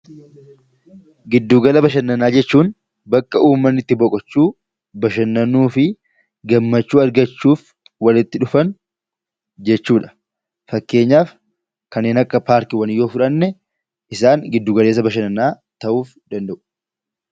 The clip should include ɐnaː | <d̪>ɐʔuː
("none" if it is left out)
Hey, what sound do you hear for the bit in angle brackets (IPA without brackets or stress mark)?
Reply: t̪